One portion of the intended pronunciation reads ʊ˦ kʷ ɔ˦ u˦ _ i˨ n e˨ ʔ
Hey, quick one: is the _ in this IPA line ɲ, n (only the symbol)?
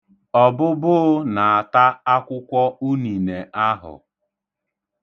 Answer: n